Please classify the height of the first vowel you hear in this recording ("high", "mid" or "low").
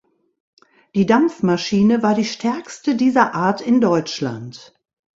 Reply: high